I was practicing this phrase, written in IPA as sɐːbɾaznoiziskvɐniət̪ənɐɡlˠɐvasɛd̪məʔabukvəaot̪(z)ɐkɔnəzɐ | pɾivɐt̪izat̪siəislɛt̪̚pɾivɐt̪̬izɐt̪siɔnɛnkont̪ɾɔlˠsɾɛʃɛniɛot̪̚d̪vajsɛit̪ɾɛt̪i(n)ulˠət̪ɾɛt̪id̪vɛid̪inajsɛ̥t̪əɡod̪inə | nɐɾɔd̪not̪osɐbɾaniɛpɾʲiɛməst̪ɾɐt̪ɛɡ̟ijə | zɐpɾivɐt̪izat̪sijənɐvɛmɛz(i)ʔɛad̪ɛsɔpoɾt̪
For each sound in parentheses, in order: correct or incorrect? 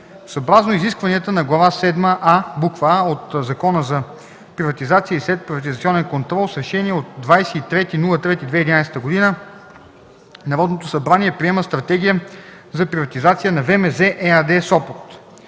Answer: correct, correct, incorrect

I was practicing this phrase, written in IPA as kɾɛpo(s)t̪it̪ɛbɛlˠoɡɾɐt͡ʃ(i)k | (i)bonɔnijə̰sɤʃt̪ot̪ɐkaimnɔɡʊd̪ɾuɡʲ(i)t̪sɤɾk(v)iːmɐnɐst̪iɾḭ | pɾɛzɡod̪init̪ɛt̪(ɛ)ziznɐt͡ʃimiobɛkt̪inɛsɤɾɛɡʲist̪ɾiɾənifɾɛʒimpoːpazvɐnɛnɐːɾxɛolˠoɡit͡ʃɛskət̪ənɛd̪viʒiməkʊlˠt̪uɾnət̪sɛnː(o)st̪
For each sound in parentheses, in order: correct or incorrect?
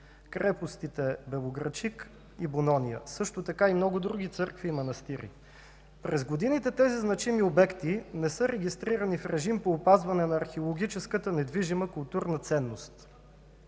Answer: correct, correct, correct, correct, correct, correct, correct

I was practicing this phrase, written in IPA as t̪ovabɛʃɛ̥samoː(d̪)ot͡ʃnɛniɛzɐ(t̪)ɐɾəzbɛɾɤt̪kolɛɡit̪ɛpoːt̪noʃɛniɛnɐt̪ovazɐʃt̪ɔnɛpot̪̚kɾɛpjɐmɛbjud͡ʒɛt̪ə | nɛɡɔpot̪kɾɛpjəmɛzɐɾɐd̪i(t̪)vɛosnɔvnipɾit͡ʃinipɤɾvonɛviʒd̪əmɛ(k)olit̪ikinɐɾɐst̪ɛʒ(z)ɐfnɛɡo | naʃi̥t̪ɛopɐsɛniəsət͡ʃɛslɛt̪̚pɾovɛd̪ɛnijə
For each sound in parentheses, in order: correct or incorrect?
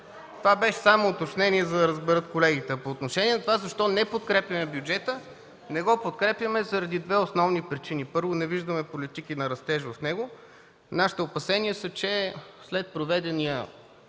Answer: incorrect, incorrect, incorrect, incorrect, incorrect

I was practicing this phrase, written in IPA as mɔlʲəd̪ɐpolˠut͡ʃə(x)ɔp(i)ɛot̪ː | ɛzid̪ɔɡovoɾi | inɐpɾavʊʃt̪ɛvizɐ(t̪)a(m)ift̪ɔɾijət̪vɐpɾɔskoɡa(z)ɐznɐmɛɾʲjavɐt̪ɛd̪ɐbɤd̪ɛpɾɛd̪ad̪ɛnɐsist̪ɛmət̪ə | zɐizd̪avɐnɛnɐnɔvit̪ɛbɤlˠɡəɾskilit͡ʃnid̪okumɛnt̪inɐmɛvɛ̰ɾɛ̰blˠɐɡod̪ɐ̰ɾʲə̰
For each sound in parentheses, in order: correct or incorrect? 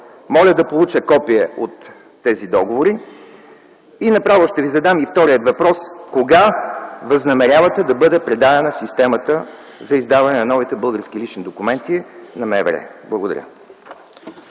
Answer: incorrect, correct, incorrect, correct, incorrect

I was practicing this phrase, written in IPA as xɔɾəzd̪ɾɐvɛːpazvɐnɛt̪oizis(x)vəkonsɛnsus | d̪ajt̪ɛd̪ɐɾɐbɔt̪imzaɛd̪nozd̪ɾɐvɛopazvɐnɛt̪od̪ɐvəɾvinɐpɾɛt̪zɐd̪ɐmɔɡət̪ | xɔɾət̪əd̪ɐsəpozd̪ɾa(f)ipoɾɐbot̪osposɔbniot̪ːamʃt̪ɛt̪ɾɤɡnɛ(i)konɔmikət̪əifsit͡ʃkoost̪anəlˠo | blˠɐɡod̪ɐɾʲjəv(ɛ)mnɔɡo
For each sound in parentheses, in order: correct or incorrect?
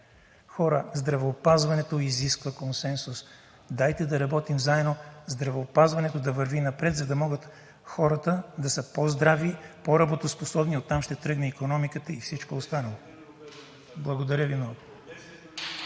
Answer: incorrect, incorrect, correct, incorrect

